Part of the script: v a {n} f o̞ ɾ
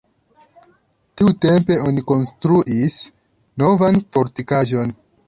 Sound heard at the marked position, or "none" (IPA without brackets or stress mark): n